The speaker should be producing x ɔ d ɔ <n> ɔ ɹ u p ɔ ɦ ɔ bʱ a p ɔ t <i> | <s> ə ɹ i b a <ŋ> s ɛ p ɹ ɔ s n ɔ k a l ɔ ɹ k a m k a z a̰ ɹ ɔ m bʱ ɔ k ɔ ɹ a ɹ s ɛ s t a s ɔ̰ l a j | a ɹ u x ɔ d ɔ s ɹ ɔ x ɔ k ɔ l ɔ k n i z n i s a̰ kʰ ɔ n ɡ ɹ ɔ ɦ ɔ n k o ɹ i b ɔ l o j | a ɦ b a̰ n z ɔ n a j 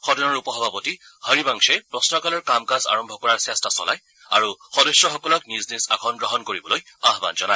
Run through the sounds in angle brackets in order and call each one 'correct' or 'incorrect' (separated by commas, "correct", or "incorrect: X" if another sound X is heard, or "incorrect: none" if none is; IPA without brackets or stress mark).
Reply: correct, correct, incorrect: h, correct